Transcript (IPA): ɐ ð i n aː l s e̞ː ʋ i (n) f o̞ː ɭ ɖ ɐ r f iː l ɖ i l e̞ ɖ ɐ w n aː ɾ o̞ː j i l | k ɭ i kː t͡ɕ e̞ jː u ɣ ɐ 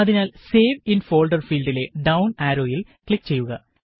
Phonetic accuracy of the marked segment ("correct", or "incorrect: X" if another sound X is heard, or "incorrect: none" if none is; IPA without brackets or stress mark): correct